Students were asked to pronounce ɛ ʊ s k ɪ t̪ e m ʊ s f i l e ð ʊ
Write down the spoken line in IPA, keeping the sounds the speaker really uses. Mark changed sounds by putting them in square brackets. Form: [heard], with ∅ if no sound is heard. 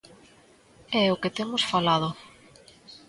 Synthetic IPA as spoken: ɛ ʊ [∅] k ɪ t̪ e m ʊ s f [a] l [a] ð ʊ